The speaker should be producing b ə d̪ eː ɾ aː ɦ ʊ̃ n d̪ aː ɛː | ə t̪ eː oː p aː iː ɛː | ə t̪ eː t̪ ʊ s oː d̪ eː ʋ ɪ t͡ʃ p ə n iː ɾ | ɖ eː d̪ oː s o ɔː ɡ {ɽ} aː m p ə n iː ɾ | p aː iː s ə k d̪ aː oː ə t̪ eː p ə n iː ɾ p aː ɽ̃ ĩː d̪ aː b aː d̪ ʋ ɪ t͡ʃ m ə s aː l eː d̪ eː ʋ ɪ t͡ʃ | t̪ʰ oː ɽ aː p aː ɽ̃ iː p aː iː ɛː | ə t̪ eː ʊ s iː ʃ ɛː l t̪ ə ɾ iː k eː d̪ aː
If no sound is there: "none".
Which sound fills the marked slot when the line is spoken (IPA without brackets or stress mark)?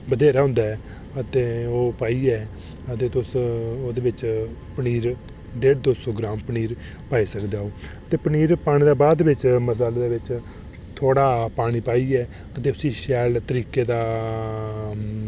ɾ